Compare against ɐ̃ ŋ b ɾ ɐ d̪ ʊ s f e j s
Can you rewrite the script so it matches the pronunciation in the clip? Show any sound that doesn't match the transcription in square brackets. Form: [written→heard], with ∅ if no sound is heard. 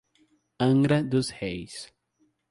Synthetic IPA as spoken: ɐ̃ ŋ [b→ɡ] ɾ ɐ d̪ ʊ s [f→h] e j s